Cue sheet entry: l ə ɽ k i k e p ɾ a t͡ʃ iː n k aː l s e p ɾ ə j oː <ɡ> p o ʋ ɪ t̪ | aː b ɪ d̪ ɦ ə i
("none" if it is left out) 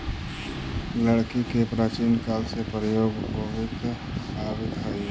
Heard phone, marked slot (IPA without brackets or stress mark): ɡ